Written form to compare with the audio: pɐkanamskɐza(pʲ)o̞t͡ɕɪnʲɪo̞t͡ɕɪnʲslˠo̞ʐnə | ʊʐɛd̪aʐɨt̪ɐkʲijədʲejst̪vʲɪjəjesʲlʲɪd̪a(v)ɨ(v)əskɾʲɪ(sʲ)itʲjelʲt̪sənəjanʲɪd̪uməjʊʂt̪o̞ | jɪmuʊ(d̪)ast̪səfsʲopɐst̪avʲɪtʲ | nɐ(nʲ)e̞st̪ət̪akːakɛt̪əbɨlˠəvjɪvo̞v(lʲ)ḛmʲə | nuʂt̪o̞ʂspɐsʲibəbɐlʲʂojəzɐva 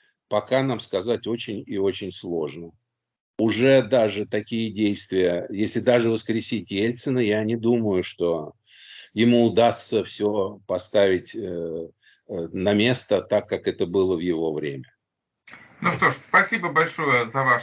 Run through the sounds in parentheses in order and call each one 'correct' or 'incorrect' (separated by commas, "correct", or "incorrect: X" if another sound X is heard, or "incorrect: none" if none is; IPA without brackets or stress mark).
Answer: incorrect: tʲ, incorrect: ʐ, correct, correct, correct, incorrect: mʲ, incorrect: ɾʲ